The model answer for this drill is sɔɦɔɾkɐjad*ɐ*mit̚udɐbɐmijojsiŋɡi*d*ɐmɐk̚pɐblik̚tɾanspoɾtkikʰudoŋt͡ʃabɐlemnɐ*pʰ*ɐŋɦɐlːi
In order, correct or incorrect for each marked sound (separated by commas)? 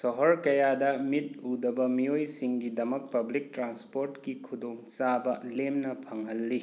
correct, correct, correct